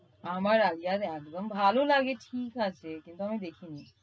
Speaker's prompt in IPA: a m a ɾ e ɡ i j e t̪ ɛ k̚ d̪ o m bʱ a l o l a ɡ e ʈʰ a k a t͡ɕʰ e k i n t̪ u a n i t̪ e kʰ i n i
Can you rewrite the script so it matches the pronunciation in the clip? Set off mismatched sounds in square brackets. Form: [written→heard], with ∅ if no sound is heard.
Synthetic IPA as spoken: a m a ɾ [e→a] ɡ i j [e→a] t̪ ɛ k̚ d̪ o m bʱ a l o l a ɡ e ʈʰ [a→i] k a t͡ɕʰ e k i n t̪ u a [n→m] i [t̪→d̪] e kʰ i n i